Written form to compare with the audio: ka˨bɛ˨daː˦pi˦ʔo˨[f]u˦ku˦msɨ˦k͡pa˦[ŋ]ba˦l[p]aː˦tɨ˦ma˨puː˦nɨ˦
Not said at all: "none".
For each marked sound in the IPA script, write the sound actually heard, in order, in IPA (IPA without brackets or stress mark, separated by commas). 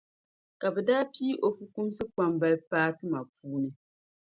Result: f, m, p